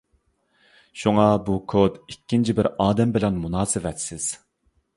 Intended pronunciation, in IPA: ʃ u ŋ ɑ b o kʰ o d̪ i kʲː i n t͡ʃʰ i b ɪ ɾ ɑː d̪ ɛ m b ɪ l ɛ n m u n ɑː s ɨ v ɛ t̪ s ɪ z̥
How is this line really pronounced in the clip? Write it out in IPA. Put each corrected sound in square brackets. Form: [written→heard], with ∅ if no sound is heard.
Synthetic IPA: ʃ u ŋ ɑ b [o→u] kʰ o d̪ i kʲː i n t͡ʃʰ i b ɪ ɾ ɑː d̪ ɛ m b ɪ l ɛ n m u n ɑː s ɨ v ɛ t̪ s ɪ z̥